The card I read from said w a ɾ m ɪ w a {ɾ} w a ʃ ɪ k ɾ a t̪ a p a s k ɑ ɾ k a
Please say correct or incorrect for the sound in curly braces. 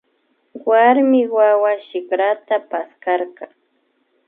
incorrect